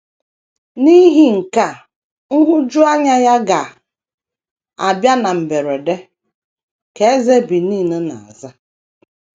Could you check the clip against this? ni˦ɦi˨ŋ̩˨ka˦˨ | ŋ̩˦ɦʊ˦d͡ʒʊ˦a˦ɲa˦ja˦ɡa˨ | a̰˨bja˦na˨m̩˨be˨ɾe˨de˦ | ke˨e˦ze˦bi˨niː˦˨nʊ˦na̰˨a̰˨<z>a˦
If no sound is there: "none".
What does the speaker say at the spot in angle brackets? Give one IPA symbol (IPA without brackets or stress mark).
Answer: z